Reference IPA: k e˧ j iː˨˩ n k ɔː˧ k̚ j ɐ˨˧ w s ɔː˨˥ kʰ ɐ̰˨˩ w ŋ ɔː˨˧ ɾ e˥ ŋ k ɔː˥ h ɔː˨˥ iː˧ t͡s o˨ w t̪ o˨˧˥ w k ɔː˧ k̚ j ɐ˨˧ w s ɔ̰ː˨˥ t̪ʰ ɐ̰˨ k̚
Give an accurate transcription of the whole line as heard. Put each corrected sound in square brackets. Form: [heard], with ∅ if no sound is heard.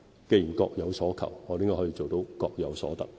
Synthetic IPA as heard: k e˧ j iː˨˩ n k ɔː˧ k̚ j ɐ˨˧ w s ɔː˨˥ kʰ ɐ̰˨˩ w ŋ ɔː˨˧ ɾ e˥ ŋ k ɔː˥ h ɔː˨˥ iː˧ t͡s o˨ w t̪ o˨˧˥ w k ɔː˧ k̚ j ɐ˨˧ w s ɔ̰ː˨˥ [t̪] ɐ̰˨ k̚